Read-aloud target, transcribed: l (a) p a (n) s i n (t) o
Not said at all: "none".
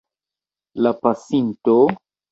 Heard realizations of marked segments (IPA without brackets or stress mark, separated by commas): a, none, t